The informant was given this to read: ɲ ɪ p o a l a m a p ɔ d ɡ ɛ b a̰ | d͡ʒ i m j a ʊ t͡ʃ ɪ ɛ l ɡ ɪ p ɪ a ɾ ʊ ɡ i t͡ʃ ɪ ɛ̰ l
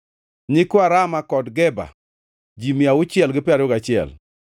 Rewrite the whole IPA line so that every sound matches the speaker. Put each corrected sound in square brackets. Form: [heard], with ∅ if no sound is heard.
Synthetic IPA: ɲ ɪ [k] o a [ɾ] a m a [k] ɔ d ɡ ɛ b a̰ | d͡ʒ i m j a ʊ t͡ʃ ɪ ɛ l ɡ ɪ p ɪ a ɾ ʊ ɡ [a] t͡ʃ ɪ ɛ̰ l